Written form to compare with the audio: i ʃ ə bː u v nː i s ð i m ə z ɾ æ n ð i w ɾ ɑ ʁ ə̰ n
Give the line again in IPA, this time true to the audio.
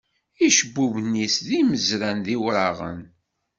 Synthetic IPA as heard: i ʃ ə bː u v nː i s ð i m ə z ɾ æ n ð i w ɾ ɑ ʁ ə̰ n